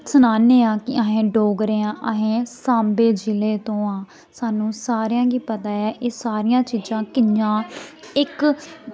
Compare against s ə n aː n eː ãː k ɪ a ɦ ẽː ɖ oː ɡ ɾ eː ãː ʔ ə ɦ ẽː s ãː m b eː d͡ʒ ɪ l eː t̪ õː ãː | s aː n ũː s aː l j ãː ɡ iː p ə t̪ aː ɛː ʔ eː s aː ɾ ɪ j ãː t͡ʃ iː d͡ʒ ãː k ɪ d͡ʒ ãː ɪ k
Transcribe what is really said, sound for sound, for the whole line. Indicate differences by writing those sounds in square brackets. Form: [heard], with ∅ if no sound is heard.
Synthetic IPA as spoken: s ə n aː n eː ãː k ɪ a ɦ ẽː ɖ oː ɡ ɾ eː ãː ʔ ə ɦ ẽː s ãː m b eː d͡ʒ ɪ l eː t̪ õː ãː | s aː n ũː s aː [ɾ] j ãː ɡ iː p ə t̪ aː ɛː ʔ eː s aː ɾ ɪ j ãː t͡ʃ iː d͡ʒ ãː k ɪ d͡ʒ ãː ɪ k